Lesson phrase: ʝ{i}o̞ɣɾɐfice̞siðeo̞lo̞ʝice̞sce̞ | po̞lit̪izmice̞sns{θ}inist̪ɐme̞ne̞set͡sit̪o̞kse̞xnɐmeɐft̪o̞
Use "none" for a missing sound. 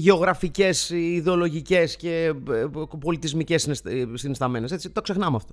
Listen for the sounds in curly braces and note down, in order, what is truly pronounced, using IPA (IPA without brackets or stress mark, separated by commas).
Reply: e, s